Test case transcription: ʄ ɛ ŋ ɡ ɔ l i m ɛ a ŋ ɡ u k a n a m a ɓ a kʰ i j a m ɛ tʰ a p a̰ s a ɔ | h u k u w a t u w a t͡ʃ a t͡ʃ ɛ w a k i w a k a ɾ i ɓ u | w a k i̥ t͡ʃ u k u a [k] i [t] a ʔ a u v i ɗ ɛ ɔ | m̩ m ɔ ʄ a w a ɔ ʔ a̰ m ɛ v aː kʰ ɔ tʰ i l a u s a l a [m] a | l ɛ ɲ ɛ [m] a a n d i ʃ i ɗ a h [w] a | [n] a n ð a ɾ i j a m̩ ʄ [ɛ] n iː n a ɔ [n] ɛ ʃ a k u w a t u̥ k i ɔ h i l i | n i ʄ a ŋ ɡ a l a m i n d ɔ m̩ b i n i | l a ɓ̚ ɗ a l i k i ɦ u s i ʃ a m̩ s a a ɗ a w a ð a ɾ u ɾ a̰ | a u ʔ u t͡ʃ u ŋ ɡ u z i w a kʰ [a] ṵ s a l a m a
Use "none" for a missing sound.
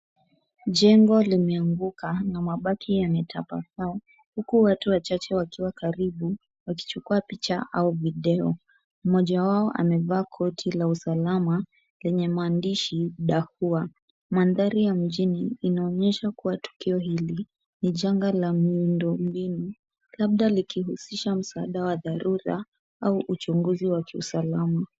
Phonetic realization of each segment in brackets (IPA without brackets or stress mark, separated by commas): p, t͡ʃ, m, m, u, m, i, ɲ, i